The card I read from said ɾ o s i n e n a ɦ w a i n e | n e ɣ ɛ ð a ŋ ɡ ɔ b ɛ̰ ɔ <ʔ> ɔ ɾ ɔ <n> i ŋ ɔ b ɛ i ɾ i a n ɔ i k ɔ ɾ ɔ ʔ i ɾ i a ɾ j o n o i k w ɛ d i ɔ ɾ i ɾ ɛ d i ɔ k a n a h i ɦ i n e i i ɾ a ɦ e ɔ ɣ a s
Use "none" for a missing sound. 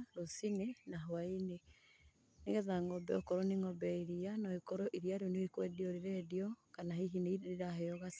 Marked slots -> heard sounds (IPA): k, n

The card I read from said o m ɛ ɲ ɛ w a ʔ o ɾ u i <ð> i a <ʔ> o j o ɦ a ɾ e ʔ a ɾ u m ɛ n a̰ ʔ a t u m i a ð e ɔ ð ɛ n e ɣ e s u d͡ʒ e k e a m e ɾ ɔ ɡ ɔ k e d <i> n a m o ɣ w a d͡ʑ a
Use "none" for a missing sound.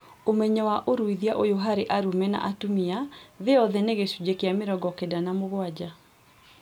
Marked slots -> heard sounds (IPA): ð, ʔ, a

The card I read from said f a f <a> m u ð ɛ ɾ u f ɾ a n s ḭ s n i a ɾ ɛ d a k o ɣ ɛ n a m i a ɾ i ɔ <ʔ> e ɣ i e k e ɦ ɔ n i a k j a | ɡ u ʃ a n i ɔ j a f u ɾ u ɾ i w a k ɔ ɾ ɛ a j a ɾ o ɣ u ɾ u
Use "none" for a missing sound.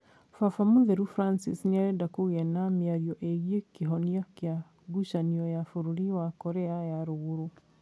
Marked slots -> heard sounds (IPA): a, ʔ

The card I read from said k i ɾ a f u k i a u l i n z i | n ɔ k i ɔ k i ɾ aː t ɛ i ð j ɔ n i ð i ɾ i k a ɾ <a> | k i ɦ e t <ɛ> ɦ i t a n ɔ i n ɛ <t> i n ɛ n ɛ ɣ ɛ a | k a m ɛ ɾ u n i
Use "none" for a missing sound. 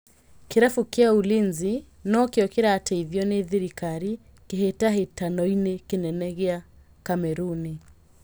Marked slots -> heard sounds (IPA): i, a, k

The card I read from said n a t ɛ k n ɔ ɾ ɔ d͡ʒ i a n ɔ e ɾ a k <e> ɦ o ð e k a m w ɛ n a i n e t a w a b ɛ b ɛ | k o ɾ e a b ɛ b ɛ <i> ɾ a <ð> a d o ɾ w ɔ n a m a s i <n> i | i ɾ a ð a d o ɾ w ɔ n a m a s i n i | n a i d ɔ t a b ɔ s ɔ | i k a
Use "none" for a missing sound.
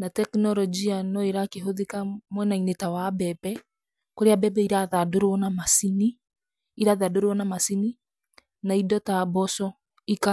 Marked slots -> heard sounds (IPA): e, i, ð, n

